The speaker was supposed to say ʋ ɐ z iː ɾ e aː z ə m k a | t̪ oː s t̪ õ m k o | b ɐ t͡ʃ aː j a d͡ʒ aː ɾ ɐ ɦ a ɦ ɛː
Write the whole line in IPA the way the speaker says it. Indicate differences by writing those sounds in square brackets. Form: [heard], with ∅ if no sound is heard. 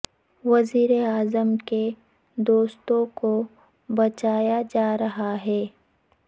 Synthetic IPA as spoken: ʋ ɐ z iː ɾ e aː z ə m k [e] | [d̪] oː s t̪ õ [∅] k o | b ɐ t͡ʃ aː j a d͡ʒ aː ɾ ɐ ɦ a ɦ ɛː